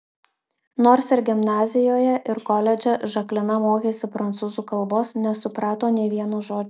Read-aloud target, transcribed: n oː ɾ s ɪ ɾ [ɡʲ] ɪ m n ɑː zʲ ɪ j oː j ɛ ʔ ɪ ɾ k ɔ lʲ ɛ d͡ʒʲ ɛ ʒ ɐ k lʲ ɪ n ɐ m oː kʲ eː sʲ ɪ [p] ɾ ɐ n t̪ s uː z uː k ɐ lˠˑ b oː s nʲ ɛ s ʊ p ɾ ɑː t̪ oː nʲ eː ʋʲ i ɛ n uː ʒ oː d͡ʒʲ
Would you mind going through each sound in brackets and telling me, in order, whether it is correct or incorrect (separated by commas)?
correct, correct